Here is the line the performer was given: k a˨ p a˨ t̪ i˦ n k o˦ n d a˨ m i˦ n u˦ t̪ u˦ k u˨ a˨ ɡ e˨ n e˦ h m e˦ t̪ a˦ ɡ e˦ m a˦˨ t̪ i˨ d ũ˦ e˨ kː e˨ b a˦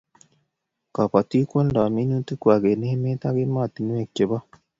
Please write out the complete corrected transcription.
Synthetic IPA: k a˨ p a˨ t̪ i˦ k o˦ n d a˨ m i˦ n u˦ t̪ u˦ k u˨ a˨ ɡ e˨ n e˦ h m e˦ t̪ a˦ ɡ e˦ m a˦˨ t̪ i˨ n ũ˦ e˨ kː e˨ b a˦